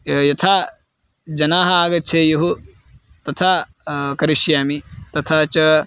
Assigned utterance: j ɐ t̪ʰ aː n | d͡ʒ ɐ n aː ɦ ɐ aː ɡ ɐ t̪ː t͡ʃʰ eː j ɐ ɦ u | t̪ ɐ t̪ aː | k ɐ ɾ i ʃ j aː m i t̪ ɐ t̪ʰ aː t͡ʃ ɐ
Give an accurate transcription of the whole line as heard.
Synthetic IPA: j ɐ t̪ʰ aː | d͡ʒ ɐ n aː ɦ ɐ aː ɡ ɐ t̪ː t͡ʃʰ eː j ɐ ɦ u | t̪ ɐ t̪ʰ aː | k ɐ ɾ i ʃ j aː m i t̪ ɐ t̪ʰ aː t͡ʃ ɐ